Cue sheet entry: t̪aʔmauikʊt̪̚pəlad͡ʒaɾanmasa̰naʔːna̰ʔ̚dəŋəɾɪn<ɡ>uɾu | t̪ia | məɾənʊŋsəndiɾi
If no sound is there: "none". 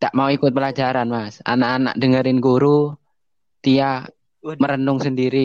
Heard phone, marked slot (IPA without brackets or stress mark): ɡ